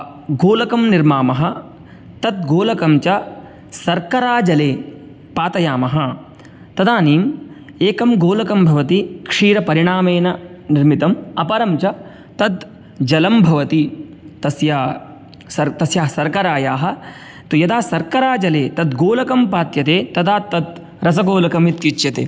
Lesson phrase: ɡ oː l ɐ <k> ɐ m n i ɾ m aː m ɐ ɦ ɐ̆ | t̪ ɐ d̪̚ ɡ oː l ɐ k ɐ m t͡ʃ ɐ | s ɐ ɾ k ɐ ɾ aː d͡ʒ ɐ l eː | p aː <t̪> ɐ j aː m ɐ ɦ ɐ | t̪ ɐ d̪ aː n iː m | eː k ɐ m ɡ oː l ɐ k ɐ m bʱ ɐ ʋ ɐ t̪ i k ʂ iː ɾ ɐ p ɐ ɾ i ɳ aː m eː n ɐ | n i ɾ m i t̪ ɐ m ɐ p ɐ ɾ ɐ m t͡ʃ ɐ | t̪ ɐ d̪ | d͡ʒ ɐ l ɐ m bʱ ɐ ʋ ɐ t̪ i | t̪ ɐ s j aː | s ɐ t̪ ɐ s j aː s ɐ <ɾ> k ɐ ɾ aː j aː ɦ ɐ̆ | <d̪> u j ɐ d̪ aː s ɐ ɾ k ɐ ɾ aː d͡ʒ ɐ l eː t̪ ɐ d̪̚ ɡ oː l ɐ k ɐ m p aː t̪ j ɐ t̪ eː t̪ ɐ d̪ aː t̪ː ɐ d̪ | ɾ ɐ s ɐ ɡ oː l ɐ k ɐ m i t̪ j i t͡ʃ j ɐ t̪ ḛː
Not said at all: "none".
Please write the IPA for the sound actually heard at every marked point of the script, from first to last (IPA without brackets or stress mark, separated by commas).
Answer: k, t̪, ɾ, t̪